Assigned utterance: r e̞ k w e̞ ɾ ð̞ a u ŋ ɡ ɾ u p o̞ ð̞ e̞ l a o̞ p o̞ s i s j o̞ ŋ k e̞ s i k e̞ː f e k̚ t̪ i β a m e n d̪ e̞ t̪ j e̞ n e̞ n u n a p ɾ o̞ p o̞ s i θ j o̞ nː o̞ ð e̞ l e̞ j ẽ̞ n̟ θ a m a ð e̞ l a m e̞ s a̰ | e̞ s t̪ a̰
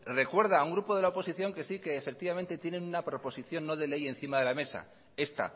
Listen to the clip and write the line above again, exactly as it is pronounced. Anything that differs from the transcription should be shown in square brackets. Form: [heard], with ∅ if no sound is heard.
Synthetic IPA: r e̞ k w e̞ ɾ ð̞ a u ŋ ɡ ɾ u p o̞ ð̞ e̞ l a o̞ p o̞ s i [θ] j o̞ ŋ k e̞ s i k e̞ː f e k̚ t̪ i β a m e n [t̪] e̞ t̪ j e̞ n e̞ n u n a p ɾ o̞ p o̞ s i θ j o̞ nː o̞ ð e̞ l e̞ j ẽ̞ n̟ θ [i] m a ð e̞ l a m e̞ s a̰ | e̞ s t̪ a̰